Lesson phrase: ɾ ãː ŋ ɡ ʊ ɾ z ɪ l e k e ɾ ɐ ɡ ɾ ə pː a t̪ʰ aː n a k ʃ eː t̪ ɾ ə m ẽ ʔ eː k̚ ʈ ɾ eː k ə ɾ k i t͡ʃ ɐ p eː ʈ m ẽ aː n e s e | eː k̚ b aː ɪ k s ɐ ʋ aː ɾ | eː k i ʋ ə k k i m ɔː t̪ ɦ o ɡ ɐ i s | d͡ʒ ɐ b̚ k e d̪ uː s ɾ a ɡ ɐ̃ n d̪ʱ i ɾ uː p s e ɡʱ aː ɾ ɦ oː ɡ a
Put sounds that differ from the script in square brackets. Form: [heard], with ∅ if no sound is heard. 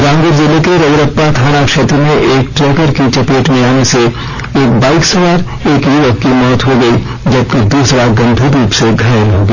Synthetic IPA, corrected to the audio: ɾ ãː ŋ ɡ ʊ ɾ z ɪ l e k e ɾ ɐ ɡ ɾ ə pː a t̪ʰ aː n a k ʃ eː t̪ ɾ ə m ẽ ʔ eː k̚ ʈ ɾ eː k ə ɾ k i t͡ʃ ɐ p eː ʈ m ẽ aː n e s e | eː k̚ b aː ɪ k s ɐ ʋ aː ɾ | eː k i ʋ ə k k i m ɔː t̪ ɦ o ɡ ɐ i [∅] | d͡ʒ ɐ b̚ k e d̪ uː s ɾ a ɡ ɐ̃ n d̪ʱ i ɾ uː p s e ɡʱ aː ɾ ɦ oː ɡ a